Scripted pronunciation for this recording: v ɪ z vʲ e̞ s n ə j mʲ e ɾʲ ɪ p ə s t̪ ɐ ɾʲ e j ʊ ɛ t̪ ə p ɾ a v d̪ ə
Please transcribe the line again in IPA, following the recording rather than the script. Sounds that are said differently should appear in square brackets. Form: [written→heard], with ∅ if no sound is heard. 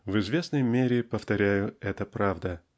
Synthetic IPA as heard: v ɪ z vʲ e̞ s n ə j mʲ e ɾʲ ɪ p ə [s→f] t̪ ɐ ɾʲ [e→æ] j ʊ ɛ t̪ ə p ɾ a v d̪ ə